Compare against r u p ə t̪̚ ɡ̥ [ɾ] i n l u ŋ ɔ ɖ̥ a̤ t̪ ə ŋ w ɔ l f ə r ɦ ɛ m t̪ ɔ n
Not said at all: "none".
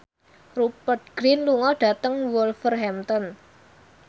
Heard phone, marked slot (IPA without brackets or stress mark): ɾ